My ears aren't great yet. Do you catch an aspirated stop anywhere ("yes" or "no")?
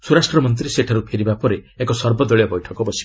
yes